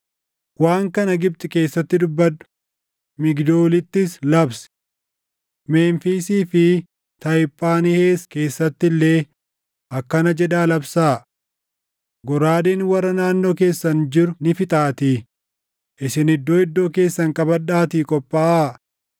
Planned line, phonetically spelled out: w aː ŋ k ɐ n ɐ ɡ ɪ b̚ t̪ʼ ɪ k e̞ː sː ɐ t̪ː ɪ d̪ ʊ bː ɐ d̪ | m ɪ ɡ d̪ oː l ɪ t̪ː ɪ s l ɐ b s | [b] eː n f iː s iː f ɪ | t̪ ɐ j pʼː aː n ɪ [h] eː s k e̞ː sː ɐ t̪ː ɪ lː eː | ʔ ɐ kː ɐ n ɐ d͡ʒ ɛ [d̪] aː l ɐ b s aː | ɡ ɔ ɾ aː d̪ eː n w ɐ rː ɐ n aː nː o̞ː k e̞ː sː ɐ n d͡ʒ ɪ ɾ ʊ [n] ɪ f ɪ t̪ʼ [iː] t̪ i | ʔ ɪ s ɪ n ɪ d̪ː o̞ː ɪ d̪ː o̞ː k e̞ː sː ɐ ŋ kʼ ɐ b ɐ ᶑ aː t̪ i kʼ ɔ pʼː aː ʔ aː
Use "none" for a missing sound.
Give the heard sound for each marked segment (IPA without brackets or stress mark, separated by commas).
m, h, d̪, n, aː